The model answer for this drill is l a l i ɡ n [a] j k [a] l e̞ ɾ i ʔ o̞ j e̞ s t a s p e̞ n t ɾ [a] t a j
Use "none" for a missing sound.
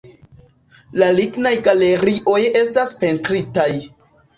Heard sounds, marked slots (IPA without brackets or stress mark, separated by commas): a, a, i